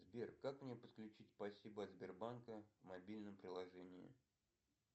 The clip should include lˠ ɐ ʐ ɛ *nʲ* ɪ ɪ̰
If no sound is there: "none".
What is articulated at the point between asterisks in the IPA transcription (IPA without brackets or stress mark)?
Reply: nʲ